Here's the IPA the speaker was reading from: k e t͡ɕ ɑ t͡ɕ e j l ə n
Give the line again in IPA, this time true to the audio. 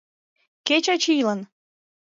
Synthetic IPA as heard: k e t͡ɕ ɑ t͡ɕ i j l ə n

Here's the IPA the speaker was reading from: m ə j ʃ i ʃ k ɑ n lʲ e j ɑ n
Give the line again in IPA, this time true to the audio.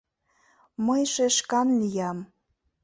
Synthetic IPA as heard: m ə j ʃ e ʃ k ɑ n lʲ i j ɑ m

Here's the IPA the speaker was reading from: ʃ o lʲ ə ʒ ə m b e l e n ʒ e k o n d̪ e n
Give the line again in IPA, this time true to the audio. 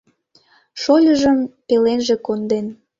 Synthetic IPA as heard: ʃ o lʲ ə ʒ ə m p e l e n ʒ e k o n d̪ e n

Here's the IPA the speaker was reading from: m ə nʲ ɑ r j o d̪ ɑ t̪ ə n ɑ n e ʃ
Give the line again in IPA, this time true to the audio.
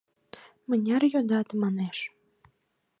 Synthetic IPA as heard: m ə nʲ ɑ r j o d̪ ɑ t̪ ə m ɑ n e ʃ

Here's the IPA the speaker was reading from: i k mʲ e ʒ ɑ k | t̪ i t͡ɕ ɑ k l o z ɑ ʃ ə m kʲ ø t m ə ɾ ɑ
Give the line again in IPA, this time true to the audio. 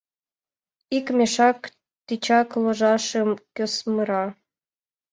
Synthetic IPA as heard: i k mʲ e ʃ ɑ k | t̪ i t͡ɕ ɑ k l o ʒ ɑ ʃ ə m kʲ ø s m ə ɾ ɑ

